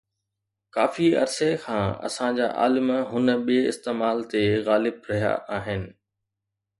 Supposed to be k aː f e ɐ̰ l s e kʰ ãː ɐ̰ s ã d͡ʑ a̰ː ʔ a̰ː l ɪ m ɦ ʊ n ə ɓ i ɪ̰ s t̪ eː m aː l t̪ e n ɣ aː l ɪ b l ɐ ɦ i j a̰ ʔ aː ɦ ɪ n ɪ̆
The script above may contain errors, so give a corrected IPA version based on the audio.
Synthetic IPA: k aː f i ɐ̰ ɾ s e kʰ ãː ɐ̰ s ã d͡ʑ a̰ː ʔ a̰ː l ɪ m ɦ ʊ n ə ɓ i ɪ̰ s t̪ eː m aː l t̪ e ɣ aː l ɪ b ɾ ɐ ɦ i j a̰ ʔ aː ɦ ɪ n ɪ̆